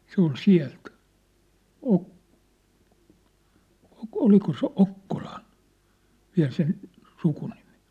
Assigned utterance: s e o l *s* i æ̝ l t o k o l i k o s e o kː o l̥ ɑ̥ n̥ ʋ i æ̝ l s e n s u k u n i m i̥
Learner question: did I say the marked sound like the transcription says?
yes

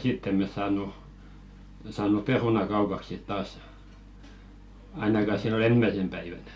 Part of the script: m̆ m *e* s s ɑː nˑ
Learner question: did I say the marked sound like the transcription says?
yes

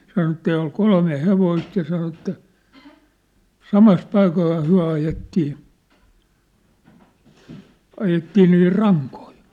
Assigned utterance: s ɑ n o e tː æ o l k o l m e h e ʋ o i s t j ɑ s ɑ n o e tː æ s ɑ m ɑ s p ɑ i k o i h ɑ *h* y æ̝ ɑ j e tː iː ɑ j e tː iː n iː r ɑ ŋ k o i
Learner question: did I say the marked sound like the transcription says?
yes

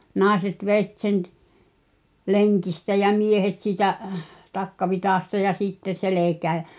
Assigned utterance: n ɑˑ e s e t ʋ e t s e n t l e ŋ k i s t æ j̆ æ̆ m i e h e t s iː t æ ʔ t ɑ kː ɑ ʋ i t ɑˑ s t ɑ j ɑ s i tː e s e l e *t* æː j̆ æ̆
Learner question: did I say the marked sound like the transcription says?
no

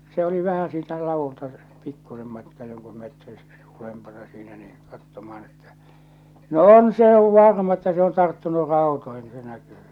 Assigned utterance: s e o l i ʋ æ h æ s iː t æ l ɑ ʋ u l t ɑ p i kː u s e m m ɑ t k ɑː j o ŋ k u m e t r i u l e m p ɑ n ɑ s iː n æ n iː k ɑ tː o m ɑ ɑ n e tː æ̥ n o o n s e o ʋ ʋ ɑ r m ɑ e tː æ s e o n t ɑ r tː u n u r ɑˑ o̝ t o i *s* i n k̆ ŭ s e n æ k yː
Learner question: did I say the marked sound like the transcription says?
no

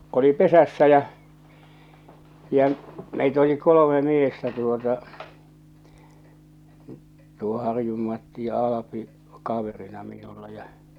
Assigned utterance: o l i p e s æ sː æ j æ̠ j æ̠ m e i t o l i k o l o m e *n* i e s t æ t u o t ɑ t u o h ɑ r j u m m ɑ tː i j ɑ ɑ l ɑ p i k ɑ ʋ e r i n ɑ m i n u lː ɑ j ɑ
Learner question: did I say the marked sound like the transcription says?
no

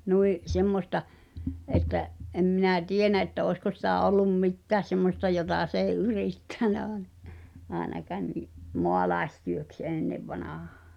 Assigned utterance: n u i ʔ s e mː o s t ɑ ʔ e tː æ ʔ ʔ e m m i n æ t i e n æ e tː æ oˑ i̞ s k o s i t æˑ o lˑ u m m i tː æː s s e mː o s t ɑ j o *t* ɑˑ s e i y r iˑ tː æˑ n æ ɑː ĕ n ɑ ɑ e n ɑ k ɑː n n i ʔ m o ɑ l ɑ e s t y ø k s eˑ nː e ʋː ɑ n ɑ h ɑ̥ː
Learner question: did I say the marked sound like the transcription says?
yes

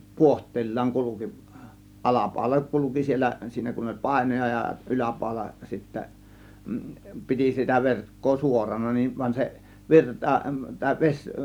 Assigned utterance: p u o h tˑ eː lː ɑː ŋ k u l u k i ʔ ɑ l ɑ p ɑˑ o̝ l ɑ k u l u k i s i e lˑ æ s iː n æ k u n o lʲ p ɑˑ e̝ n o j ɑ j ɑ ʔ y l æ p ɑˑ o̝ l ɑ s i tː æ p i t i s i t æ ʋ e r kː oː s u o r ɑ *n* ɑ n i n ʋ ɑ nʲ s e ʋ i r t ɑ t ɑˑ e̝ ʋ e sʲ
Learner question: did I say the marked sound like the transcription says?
yes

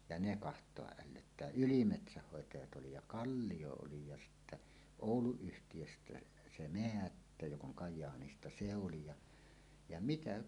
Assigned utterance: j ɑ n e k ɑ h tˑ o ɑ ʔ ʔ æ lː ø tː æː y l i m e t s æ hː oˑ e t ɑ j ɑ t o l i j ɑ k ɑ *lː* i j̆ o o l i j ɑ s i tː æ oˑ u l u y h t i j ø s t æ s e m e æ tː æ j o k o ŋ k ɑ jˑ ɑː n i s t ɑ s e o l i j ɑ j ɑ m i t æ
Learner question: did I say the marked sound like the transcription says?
yes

